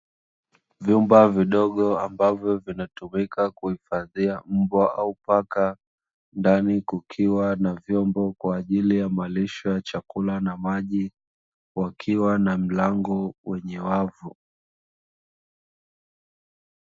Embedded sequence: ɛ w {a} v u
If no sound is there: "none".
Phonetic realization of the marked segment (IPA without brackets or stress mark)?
a